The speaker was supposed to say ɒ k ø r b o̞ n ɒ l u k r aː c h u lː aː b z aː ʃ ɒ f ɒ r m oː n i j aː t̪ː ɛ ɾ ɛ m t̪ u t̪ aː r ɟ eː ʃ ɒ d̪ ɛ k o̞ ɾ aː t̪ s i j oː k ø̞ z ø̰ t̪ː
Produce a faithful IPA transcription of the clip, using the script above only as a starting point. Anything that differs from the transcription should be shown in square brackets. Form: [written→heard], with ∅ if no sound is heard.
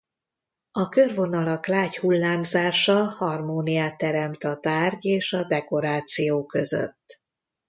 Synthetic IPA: ɒ k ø r [b→v] o̞ n ɒ l [u→ɒ] k [r→l] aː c h u lː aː [b→m] z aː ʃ ɒ [f→h] ɒ r m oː n i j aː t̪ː ɛ ɾ ɛ m t̪ [u→ɒ] t̪ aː r ɟ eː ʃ ɒ d̪ ɛ k o̞ ɾ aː t̪ s i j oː k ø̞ z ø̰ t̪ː